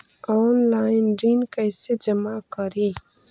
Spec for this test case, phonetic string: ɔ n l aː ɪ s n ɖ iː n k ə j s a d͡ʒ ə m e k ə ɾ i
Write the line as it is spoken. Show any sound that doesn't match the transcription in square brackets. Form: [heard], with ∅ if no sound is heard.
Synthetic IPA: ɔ n l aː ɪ [∅] n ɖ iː n k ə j s [e] d͡ʒ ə m [a] k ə ɾ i